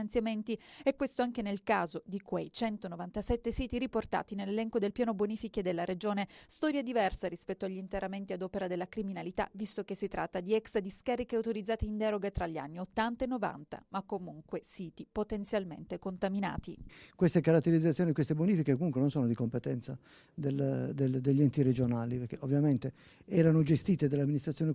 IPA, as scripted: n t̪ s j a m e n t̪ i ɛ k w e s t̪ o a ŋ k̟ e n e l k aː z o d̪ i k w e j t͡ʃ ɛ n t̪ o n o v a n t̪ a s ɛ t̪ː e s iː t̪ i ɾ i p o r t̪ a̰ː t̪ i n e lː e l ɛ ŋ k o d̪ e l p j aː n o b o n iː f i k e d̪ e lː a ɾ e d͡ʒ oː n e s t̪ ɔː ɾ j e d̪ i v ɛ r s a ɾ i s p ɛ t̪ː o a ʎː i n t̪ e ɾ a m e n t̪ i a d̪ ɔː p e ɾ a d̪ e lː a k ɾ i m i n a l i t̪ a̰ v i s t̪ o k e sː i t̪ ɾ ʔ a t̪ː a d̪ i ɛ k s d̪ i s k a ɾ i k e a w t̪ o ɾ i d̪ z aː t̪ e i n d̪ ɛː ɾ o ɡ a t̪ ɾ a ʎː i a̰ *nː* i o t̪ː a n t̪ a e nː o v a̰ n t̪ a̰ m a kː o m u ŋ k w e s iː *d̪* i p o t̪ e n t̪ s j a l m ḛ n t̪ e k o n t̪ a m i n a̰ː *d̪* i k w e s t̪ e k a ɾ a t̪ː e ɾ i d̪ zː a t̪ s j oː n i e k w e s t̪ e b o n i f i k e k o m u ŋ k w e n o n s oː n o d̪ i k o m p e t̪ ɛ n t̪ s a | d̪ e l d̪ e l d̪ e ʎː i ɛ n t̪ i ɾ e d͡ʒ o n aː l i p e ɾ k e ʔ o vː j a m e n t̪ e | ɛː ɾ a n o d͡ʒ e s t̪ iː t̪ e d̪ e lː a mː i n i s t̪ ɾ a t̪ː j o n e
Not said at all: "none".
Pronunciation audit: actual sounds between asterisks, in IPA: nː, t̪, t̪

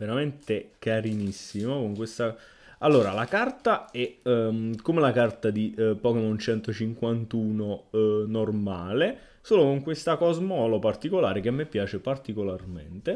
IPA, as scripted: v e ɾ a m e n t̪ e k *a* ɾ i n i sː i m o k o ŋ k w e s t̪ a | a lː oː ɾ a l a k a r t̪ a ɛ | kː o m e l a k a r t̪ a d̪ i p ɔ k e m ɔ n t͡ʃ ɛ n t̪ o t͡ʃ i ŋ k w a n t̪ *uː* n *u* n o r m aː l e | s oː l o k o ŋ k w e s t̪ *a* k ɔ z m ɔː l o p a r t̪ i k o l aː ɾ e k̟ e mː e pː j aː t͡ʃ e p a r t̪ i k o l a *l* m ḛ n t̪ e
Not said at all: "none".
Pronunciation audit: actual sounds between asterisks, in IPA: a, uː, o, a, r

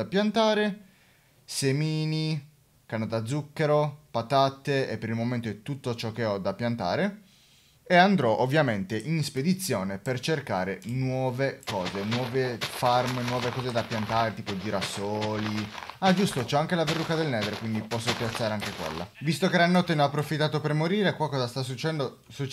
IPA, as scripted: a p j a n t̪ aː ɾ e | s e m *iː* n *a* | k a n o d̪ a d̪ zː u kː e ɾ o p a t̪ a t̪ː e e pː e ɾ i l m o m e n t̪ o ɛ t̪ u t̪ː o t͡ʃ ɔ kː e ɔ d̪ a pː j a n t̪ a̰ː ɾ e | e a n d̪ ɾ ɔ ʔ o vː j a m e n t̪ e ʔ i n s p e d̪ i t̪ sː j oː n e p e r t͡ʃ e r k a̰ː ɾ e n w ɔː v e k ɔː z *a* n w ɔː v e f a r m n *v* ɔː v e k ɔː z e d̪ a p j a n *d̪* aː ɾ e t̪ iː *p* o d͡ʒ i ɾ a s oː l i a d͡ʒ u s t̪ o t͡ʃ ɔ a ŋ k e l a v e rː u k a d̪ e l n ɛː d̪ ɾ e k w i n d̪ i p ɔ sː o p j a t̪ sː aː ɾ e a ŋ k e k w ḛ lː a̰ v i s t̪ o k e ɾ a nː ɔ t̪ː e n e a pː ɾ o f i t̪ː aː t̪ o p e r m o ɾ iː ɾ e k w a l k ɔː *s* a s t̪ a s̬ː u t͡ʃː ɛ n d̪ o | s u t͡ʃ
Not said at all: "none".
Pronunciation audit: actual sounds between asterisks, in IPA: iː, i, e, w, t̪, p, z

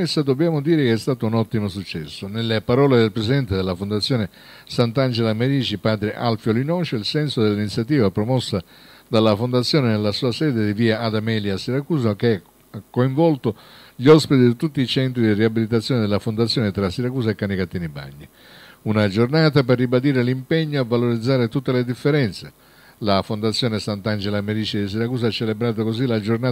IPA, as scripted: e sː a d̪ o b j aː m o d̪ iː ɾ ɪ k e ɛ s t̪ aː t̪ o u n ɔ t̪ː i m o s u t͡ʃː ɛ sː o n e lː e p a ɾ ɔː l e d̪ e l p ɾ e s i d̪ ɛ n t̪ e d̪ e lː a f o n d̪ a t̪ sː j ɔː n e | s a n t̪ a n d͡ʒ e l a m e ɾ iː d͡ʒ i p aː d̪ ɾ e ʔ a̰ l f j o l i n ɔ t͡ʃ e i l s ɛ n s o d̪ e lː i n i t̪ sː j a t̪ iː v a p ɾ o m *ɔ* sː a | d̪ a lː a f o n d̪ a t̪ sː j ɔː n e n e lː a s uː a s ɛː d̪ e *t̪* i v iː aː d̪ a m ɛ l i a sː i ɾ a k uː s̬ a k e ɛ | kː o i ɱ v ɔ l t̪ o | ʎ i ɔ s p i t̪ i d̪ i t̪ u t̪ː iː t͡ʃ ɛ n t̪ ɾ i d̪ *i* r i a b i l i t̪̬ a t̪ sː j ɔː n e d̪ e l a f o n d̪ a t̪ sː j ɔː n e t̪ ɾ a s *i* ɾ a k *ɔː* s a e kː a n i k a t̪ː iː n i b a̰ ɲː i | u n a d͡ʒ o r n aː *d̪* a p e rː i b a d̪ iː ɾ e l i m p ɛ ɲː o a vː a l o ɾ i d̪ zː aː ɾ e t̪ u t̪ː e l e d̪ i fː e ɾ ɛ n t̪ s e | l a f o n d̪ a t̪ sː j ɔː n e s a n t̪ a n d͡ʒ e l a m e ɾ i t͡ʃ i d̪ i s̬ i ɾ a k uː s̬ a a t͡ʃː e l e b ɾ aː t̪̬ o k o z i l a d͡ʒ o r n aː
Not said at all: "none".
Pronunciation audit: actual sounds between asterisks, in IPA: ɔ, d̪, i, i, uː, t̪

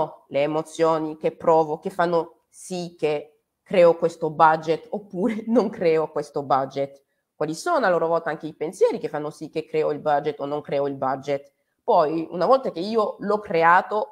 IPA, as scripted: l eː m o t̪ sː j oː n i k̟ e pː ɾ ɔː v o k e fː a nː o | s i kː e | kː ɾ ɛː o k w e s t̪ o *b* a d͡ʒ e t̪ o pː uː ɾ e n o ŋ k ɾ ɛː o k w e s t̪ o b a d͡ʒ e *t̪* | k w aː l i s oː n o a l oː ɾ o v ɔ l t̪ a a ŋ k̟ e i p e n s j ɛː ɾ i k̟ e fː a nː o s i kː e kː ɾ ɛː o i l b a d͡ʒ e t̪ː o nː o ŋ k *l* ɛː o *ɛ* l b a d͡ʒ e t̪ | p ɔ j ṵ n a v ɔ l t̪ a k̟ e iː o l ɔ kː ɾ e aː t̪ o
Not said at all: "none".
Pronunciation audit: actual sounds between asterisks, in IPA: b, t̪, ɾ, i

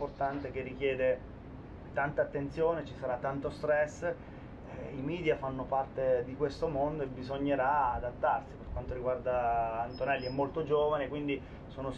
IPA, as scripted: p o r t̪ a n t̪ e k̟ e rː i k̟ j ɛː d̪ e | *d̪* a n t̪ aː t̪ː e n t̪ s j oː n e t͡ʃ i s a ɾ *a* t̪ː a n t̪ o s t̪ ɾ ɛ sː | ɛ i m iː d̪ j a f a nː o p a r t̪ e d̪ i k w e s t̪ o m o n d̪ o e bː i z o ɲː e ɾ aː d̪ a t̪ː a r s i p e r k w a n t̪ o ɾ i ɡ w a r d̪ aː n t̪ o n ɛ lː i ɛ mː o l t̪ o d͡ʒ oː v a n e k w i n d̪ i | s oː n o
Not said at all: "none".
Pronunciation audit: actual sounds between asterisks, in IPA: t̪, a

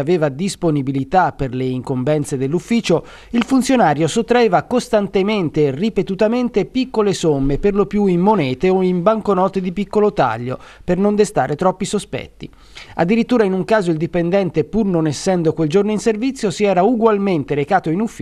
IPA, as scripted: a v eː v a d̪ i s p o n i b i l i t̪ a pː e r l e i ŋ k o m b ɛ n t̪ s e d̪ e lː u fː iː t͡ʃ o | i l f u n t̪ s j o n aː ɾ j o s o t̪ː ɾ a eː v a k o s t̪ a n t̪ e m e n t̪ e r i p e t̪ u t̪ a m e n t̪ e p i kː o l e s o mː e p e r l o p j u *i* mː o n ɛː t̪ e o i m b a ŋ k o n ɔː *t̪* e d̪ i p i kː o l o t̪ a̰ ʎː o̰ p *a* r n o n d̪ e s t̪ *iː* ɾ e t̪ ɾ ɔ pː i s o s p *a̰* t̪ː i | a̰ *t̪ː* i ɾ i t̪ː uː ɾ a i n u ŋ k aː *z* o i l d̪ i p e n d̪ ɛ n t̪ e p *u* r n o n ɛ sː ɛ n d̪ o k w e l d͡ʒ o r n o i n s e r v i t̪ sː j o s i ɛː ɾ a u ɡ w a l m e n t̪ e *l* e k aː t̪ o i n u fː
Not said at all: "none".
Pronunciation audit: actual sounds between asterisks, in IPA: i, t̪, e, aː, ɛ̰, d̪ː, z, u, ɾ

